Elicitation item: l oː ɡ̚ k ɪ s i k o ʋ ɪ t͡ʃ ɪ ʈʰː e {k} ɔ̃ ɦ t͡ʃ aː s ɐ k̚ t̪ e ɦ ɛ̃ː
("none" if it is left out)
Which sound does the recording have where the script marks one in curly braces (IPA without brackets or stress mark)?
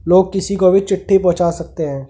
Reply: p